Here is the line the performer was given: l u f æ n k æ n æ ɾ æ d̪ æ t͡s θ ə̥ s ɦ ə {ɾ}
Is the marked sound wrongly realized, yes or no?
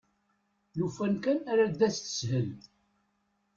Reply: yes